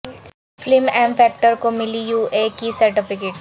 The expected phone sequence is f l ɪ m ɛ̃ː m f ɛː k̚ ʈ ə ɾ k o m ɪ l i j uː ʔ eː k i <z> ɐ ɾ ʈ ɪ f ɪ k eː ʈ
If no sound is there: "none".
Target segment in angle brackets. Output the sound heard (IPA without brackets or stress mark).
s